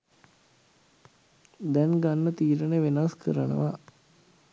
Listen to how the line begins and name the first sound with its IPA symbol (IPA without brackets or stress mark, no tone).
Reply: d̪